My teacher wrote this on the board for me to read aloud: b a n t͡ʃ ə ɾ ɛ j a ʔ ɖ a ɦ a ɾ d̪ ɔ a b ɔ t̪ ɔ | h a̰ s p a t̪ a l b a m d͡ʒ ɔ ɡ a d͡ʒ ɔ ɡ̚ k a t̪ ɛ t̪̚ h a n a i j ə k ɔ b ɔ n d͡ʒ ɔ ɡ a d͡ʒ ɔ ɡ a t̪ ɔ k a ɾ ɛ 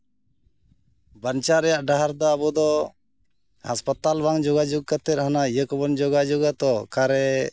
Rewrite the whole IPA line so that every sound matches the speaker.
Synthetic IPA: b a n t͡ʃ a ɾ ɛ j a ʔ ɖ a ɦ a ɾ d̪ ɔ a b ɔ d̪ ɔ | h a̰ s p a t̪ a l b a ŋ d͡ʒ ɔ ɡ a d͡ʒ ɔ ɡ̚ k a t̪ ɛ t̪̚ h a n a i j ə k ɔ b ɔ n d͡ʒ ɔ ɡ a d͡ʒ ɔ ɡ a t̪ ɔ k a ɾ ɛ